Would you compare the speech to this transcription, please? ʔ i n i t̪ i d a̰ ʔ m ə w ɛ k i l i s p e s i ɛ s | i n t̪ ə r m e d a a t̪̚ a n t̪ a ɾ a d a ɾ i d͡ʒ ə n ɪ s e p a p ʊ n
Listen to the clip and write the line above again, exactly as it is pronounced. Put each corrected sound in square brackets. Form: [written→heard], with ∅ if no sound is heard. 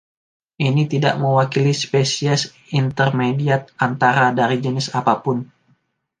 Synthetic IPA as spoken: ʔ i n i t̪ i d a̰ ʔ m ə w [ɛ→a] k i l i s p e s i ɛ s | i n t̪ ə r m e d [a→i] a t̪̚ a n t̪ a ɾ a d a ɾ i d͡ʒ ə n ɪ s [e→a] p a p ʊ n